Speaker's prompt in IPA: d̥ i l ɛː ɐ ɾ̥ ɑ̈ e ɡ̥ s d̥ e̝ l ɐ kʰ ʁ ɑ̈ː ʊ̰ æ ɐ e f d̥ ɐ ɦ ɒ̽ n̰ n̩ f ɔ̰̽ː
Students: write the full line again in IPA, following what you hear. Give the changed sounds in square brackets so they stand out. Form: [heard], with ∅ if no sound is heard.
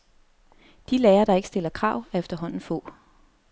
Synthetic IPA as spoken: d̥ i l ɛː ɐ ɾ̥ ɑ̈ e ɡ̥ s d̥ e̝ l ɐ kʰ ʁ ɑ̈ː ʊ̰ æ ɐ e f d̥ ɐ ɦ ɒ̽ n̰ n̩ f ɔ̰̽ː